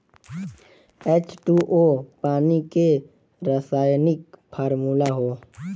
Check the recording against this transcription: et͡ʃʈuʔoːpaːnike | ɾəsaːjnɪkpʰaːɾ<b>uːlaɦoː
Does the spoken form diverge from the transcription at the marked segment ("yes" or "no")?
yes